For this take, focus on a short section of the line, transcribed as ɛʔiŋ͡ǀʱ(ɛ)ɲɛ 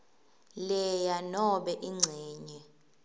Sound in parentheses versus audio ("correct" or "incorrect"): incorrect